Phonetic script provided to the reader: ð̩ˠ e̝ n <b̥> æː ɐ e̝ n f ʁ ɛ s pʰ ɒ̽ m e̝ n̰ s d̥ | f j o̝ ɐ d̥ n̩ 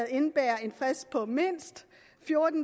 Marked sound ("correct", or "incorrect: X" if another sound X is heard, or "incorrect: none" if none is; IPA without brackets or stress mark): correct